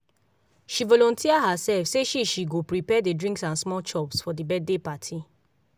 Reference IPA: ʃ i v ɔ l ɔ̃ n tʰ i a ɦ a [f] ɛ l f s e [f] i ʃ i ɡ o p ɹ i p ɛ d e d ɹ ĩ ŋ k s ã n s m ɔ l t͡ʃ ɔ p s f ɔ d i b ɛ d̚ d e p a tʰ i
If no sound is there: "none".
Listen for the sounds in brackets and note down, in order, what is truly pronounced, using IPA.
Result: s, ʃ

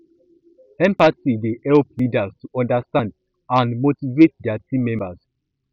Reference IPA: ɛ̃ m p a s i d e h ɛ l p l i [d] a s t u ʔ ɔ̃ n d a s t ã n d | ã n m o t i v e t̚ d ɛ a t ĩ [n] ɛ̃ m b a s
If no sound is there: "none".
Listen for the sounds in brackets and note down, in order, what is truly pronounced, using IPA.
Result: d, m

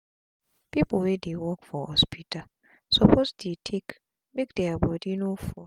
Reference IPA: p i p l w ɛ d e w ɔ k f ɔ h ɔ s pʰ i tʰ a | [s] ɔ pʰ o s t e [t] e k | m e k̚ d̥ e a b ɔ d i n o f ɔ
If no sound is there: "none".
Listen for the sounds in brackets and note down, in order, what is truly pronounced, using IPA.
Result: s, tʰ

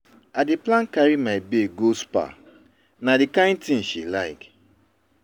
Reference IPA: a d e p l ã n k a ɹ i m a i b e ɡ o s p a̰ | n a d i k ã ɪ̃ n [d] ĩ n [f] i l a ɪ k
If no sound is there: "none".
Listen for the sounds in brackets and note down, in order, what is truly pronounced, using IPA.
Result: t, ʃ

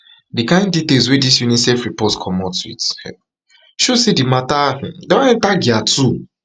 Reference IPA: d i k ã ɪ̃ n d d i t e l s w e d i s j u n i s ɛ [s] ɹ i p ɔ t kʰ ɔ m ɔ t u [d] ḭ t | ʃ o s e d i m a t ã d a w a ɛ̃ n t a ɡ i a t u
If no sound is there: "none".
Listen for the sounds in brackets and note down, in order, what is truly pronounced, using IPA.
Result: f, none

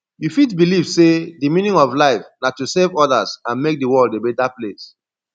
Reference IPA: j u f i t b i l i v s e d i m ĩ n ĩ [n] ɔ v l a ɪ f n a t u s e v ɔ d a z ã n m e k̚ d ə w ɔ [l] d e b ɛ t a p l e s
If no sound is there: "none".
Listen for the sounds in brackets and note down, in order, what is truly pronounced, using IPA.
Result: ŋ, l

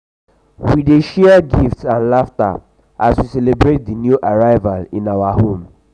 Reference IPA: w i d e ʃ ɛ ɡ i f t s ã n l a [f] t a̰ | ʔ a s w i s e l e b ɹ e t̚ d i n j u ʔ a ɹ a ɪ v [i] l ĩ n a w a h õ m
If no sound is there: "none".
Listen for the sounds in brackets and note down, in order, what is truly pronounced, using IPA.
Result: f, a

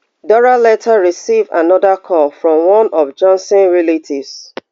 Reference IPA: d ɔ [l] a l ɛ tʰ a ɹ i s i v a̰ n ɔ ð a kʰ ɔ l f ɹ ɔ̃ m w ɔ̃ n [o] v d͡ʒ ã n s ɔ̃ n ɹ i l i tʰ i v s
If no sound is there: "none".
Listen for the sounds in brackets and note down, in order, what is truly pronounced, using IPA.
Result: ɹ, ɔ

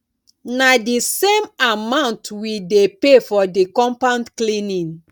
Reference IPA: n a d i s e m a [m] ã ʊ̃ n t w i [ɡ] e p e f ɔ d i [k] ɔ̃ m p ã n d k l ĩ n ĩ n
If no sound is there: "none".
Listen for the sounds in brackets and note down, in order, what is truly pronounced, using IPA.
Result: m, d, k

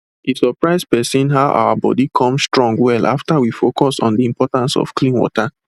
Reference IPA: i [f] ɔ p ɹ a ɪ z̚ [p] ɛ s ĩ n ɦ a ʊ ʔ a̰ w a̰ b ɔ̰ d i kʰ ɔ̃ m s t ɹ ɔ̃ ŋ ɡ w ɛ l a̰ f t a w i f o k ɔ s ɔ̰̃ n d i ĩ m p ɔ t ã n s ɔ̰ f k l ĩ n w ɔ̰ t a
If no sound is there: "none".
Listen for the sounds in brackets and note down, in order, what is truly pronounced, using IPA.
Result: s, p

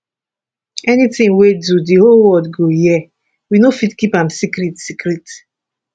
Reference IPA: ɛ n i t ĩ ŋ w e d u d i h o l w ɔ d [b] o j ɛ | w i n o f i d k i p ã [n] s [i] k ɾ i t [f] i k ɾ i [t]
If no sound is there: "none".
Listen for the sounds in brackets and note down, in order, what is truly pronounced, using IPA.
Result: ɡ, m, i, s, t

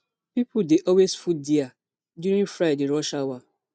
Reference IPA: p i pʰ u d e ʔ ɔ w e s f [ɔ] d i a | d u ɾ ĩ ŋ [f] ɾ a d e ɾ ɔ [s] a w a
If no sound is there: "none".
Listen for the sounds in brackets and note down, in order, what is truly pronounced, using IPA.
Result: u, f, ʃ

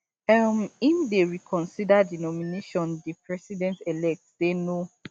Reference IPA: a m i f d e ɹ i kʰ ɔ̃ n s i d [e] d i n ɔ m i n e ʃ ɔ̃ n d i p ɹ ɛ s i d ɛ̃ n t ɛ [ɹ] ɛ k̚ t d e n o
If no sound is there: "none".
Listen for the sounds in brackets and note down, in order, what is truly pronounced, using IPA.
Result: a, l

